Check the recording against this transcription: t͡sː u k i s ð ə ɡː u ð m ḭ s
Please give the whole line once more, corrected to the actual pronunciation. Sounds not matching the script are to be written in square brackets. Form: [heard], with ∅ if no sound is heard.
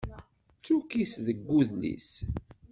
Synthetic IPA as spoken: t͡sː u k i s ð ə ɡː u ð [n] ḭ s